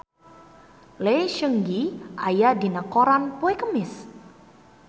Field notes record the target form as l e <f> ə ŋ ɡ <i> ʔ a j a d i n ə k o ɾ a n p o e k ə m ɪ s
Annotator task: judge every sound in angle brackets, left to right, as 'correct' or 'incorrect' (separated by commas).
incorrect, correct